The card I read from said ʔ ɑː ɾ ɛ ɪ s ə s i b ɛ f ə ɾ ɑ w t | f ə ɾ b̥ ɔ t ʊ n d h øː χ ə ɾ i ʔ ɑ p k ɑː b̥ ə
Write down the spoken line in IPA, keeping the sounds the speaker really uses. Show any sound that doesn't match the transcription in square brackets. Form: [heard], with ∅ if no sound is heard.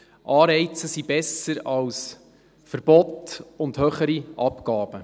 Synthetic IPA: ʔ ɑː ɾ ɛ ɪ [t͡s] ə s i b ɛ [s] ə ɾ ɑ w [s] | f ə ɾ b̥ ɔ t ʊ n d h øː χ ə ɾ i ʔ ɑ p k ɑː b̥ ə